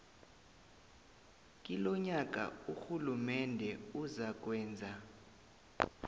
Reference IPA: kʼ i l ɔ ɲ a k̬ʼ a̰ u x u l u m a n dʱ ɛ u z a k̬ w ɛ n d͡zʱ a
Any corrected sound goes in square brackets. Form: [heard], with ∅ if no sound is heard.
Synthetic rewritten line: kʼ i l ɔ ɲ a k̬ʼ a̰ u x u l u m [ɛ] n dʱ ɛ u z a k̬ w [ɛː] n d͡zʱ a